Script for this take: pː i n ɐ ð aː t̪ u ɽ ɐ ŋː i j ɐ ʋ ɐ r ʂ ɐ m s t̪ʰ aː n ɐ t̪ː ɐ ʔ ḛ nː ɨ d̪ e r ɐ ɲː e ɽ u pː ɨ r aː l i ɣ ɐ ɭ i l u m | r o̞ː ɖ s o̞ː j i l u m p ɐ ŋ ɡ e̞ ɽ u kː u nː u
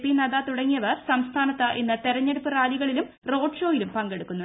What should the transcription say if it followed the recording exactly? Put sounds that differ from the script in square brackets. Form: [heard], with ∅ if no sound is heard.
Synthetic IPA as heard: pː i n ɐ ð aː t̪ u ɽ ɐ ŋː i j ɐ ʋ ɐ r [s] ɐ m s t̪ʰ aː n ɐ t̪ː ɐ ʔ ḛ nː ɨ [t̪] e [ɾ] ɐ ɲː e ɽ u pː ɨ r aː l i ɣ ɐ ɭ i l u m | r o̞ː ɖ [ʂ] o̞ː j i l u m p ɐ ŋ ɡ e̞ ɽ u kː u nː u